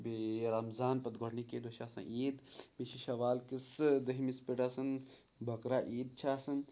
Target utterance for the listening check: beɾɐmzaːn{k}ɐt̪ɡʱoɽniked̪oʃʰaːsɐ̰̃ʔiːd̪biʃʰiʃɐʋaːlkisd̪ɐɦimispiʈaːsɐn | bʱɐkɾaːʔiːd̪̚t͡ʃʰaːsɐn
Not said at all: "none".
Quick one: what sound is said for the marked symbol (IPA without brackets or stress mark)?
p